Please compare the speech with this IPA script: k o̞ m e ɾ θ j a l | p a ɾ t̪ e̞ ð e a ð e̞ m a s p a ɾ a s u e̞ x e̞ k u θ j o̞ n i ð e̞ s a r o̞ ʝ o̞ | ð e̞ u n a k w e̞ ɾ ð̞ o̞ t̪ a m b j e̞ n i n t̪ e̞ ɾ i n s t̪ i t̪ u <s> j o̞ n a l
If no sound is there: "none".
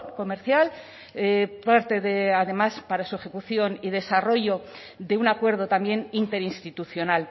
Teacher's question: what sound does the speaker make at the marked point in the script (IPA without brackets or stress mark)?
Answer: θ